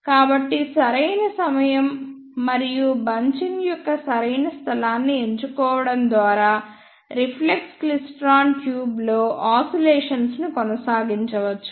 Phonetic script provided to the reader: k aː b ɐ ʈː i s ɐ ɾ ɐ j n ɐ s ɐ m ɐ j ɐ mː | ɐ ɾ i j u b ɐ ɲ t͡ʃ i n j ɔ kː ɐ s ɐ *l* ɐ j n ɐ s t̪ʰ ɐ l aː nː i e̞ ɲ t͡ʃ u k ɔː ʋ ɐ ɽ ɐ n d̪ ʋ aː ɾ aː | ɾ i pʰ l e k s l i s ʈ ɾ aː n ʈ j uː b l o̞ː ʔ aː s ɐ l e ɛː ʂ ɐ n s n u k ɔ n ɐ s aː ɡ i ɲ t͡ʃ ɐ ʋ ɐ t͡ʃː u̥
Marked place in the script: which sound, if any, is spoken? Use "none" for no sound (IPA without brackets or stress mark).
ɾ